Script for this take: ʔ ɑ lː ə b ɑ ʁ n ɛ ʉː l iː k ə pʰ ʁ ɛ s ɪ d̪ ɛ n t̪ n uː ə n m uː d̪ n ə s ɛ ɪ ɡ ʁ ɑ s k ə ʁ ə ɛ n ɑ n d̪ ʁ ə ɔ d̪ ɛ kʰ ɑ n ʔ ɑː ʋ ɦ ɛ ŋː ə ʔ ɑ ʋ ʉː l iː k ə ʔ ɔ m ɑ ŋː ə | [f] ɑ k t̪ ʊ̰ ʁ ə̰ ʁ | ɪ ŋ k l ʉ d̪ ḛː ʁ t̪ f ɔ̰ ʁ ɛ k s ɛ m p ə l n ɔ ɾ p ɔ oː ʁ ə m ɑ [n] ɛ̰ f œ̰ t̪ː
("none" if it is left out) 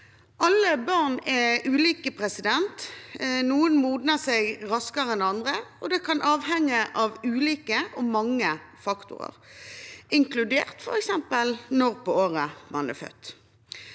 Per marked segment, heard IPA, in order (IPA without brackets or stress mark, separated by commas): f, n